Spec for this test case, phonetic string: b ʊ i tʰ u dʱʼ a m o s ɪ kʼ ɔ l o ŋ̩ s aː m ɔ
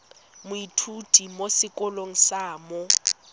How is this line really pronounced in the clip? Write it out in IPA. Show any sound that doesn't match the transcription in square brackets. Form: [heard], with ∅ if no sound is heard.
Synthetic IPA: [m] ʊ i tʰ u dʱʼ [i] m o s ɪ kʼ ɔ l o ŋ̩ s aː m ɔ

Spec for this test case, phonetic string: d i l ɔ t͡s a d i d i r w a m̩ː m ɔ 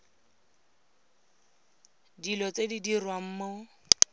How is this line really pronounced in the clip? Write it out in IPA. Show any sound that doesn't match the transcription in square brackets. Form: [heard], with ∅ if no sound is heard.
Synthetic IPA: d i l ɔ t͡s [e] d i d i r w a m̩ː m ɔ

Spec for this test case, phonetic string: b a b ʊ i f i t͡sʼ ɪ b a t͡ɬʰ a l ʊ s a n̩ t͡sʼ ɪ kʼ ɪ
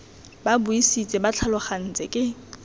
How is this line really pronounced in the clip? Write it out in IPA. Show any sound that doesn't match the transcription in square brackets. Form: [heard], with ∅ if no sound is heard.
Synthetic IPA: b a b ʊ i [s] i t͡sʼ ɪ b a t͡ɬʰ a l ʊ [χ] a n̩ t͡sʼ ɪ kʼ ɪ

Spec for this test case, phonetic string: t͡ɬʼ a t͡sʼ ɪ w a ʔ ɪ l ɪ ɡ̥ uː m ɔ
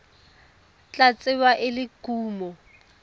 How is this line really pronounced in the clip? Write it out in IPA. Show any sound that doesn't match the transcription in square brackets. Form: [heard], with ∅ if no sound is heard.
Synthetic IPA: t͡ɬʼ a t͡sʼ ɪ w a ʔ ɪ l ɪ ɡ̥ uː m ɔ

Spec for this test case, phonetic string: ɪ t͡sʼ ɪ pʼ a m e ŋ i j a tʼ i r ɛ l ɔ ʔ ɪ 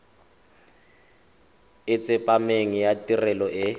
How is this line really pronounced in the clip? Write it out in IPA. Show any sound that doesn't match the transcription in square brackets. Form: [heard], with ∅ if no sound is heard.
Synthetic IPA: ɪ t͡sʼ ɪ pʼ a m e ŋ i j a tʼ i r ɛ l ɔ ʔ ɪ

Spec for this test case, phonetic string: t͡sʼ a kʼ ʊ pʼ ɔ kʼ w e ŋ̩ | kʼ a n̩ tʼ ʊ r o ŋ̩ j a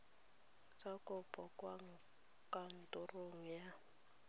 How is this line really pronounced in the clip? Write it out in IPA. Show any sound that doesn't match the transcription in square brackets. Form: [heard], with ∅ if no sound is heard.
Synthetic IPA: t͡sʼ a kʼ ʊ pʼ ɔ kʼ w [a] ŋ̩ | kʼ a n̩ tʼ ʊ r o ŋ̩ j a

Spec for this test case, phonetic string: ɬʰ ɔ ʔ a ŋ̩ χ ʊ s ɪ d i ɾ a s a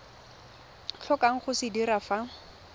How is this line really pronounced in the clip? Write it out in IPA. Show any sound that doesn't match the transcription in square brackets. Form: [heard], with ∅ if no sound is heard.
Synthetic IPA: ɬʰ ɔ [k] a ŋ̩ χ ʊ s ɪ d i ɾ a [f] a

